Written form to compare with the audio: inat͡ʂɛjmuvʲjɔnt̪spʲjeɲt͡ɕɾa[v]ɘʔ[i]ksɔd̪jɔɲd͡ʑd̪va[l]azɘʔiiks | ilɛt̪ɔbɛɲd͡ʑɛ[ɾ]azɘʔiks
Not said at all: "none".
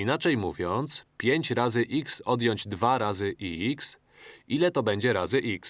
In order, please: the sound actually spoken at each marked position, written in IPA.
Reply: z, i, ɾ, ɾ

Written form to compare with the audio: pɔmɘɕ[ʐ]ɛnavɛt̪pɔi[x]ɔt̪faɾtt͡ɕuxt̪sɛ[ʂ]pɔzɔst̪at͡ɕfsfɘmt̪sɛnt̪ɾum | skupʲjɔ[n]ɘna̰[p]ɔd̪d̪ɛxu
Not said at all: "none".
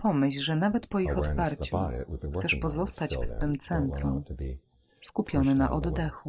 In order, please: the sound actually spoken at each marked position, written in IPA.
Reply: ʐ, x, ʂ, n, ʔ

